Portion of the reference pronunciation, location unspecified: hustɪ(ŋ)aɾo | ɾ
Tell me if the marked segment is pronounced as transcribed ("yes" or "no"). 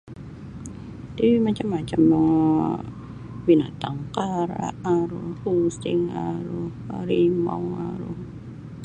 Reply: yes